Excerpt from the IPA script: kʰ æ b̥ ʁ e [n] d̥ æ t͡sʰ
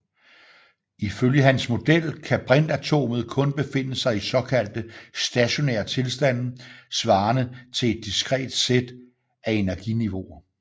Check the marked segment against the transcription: correct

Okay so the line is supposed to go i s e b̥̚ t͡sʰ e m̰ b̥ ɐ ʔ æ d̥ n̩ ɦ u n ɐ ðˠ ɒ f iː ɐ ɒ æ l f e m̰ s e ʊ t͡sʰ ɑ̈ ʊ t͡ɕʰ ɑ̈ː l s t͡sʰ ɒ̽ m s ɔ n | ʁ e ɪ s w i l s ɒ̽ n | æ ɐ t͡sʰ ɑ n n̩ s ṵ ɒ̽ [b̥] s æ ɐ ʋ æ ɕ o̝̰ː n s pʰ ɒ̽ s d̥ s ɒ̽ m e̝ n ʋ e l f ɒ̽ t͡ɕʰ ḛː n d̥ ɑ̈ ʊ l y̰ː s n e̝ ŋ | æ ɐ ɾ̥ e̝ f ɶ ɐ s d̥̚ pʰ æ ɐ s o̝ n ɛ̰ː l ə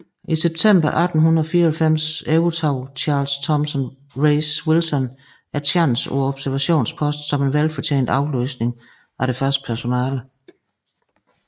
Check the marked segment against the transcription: correct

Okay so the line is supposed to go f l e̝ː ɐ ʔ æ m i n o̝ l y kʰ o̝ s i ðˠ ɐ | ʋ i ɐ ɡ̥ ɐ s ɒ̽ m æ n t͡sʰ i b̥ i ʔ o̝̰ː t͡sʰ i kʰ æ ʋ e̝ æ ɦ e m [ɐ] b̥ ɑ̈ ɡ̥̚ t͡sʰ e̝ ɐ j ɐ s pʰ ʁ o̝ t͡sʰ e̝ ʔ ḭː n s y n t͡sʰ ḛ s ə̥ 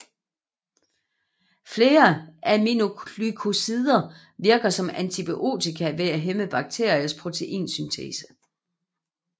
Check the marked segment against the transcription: incorrect: ə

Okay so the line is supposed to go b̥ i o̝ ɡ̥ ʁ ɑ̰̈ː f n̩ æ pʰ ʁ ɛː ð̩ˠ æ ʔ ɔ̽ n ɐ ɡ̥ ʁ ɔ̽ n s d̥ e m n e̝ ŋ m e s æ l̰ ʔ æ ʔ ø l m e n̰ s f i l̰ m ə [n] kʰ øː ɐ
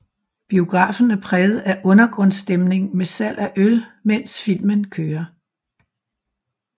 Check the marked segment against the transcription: correct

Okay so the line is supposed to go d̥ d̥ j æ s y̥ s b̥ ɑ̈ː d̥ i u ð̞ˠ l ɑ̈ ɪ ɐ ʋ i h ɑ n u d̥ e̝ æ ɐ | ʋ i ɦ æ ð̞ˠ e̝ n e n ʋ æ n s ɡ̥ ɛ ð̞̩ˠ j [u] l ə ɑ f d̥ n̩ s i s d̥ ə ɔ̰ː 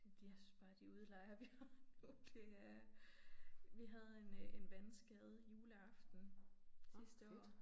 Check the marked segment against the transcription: incorrect: uː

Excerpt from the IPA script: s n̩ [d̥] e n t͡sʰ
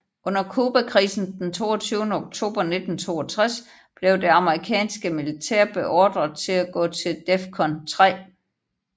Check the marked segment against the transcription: correct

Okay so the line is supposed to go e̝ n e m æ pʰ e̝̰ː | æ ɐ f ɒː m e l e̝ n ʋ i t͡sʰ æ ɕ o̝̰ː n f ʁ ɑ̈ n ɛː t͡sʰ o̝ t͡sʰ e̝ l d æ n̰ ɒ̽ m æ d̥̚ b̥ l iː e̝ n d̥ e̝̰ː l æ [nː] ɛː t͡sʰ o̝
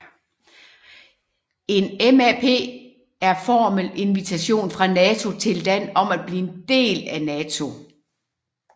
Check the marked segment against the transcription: incorrect: n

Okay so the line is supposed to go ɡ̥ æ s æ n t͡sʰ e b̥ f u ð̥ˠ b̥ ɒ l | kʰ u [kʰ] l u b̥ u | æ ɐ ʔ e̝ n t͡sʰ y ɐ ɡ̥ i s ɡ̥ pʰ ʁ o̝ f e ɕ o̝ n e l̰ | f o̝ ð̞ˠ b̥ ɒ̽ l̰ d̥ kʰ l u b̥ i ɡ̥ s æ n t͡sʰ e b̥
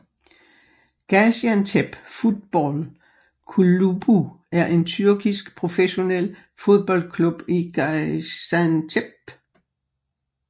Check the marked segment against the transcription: incorrect: none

